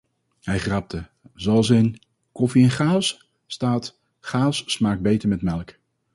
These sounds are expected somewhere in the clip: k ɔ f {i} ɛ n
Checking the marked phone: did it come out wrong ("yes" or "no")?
no